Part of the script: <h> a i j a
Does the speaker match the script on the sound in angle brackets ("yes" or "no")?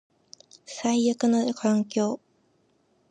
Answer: no